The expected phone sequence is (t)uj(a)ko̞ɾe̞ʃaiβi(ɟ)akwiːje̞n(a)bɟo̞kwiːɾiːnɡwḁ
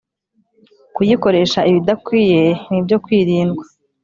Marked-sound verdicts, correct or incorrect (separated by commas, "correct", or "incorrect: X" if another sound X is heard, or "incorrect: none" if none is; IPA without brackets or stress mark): incorrect: k, incorrect: i, incorrect: d, incorrect: i